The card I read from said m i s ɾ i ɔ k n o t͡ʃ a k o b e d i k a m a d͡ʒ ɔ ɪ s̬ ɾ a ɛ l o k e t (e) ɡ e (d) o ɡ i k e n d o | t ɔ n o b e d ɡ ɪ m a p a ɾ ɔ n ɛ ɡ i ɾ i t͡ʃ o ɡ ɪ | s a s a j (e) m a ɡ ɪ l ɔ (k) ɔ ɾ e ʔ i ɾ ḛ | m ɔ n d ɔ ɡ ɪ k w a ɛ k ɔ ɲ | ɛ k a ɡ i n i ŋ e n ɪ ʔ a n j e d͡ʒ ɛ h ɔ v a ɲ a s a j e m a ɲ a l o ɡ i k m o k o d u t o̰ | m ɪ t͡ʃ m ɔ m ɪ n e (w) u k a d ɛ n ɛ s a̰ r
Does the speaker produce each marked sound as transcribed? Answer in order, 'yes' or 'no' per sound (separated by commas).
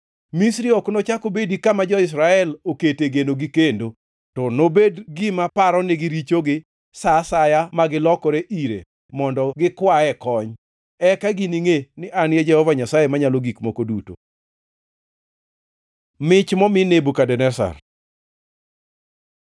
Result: yes, no, no, yes, no